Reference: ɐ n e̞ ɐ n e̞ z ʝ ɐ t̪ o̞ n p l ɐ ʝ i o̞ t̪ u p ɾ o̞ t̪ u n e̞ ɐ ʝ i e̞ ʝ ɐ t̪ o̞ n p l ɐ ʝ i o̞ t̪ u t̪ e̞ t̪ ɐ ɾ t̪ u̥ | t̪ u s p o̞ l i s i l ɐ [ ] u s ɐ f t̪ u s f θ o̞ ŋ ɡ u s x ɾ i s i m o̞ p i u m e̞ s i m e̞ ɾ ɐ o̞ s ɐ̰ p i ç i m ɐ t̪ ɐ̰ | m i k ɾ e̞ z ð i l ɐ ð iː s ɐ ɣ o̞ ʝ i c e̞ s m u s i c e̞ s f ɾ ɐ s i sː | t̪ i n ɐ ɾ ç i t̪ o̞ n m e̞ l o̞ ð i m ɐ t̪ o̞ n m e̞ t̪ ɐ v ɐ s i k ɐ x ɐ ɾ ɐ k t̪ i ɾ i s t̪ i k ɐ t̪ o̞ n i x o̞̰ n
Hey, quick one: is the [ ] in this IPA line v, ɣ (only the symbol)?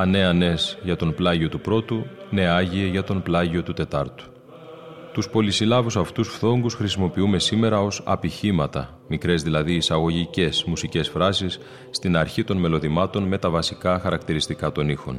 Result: v